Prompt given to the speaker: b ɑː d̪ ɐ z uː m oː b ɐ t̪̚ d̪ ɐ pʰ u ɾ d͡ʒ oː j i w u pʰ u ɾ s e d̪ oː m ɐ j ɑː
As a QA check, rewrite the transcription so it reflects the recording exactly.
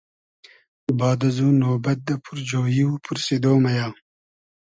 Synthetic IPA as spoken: b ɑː d̪ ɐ z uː n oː b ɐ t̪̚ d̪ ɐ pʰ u ɾ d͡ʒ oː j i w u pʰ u ɾ s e d̪ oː m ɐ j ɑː